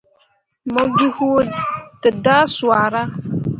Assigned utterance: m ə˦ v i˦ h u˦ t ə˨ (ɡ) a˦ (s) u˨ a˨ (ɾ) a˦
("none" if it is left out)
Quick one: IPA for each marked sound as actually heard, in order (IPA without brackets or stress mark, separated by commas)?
d, s, ɾ